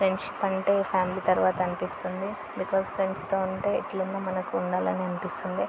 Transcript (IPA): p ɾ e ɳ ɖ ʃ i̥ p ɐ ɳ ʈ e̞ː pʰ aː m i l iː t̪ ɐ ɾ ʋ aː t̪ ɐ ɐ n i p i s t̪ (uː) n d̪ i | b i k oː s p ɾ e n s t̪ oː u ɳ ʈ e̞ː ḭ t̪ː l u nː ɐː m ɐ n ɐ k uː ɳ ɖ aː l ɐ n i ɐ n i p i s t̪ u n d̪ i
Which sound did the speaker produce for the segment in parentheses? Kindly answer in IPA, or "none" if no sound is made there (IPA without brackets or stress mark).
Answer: u